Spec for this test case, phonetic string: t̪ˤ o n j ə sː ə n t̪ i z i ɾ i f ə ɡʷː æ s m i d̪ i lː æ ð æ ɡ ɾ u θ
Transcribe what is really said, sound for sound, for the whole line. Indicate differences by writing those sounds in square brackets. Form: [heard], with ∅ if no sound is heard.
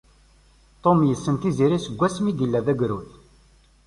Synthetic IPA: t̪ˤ o [m] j ə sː ə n t̪ i z i ɾ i [s] ə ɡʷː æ s m i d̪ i lː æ ð æ ɡ ɾ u θ